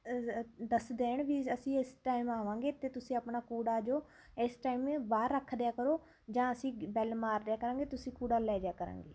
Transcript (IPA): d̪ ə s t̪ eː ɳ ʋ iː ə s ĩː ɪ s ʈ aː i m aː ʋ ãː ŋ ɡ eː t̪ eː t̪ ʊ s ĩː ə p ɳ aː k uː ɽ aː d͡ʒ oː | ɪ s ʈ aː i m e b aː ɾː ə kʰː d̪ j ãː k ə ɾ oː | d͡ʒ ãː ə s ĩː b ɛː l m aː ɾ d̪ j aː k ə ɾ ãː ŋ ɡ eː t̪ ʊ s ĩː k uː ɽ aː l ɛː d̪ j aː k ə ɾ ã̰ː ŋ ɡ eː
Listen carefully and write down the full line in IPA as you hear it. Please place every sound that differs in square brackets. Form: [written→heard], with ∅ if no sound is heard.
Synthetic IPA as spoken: d̪ ə s [t̪→d̪] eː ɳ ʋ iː ə s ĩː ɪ s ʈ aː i m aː ʋ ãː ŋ ɡ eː t̪ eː t̪ ʊ s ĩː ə p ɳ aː k uː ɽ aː d͡ʒ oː | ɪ s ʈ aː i m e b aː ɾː ə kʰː d̪ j [ãː→aː] k ə ɾ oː | d͡ʒ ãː ə s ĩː b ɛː l m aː ɾ d̪ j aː k ə ɾ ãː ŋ ɡ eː t̪ ʊ s ĩː k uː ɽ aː l ɛː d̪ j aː k ə ɾ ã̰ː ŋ ɡ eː